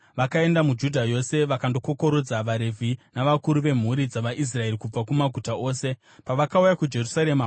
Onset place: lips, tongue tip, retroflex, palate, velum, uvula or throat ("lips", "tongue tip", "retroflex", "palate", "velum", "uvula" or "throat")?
lips